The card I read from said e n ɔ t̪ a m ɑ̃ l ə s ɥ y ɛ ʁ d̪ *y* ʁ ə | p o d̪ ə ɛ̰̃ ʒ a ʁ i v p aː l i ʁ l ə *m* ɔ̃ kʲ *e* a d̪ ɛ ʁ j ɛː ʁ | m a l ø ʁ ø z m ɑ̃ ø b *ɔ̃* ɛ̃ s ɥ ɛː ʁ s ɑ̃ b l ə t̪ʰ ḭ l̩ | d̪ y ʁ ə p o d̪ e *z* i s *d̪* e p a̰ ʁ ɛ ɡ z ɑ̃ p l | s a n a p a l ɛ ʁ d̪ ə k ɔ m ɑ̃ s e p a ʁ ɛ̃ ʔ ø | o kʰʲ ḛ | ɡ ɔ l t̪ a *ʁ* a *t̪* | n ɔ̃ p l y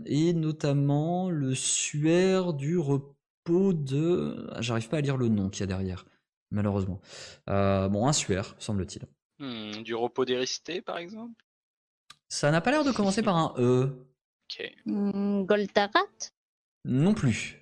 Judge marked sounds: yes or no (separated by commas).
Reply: yes, no, no, yes, no, no, yes, yes